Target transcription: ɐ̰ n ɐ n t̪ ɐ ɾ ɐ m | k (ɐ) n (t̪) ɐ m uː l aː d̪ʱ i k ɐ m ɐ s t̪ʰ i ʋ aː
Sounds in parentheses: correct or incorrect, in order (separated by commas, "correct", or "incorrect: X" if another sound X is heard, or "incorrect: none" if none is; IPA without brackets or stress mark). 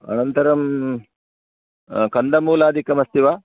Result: correct, incorrect: d̪